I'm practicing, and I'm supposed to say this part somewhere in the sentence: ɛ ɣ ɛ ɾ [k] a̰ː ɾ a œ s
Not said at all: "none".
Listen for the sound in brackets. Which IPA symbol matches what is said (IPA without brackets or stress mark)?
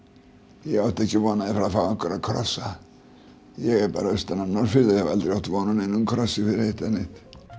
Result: p